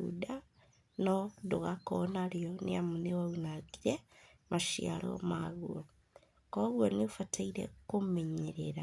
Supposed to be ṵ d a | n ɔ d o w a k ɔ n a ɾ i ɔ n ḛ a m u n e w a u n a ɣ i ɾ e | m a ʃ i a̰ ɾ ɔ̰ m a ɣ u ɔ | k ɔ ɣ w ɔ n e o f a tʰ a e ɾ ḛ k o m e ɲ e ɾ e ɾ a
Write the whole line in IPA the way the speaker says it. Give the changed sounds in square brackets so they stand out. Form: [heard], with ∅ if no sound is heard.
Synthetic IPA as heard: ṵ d a | n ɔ d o [ɣ] a k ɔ n a ɾ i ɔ n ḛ a m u n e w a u n a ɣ i ɾ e | m a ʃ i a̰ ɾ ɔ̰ m a ɣ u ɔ | k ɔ ɣ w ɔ n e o f a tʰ a [i] ɾ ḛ k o m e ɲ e ɾ e ɾ a